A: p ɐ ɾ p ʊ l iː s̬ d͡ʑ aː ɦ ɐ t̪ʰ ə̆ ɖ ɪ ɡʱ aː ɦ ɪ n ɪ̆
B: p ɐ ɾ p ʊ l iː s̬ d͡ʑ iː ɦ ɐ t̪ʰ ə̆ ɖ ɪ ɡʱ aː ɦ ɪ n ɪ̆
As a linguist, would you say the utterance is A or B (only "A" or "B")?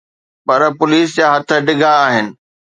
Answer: A